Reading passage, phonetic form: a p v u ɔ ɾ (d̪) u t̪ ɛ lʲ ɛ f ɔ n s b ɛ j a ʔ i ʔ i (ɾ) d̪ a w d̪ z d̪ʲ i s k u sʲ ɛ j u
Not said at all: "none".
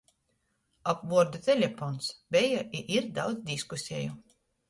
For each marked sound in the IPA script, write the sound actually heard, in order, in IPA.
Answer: d̪, ɾ

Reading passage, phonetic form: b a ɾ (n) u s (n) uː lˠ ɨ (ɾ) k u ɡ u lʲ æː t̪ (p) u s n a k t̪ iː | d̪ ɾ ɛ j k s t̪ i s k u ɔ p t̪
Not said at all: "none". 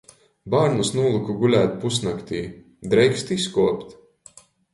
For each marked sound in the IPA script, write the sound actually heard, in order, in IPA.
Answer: n, n, none, p

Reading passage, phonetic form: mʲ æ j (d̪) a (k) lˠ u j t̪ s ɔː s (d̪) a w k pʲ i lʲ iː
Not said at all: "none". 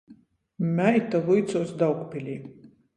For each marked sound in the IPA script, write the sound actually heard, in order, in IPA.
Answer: t̪, none, d̪

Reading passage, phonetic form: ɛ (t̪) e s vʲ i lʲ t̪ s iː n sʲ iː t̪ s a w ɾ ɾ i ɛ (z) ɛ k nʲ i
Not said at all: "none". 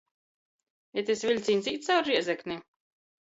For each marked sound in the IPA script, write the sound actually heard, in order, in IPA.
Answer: t̪, z

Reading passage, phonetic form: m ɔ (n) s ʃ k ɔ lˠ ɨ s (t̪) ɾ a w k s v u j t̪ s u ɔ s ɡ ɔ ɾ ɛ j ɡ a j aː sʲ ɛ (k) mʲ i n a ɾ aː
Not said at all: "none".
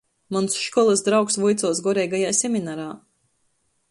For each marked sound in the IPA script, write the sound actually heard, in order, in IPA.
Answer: n, d̪, none

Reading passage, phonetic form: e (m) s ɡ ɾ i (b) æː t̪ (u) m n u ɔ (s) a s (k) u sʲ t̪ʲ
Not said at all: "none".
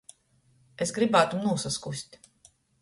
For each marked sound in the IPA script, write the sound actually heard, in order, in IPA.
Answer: none, b, u, s, k

